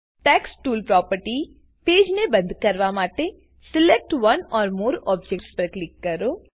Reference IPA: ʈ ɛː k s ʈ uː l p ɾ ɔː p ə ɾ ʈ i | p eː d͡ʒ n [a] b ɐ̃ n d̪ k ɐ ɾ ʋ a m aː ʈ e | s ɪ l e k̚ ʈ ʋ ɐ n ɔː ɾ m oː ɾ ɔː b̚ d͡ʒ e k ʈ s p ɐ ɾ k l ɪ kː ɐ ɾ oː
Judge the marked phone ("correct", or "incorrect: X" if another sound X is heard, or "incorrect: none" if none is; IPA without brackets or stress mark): incorrect: e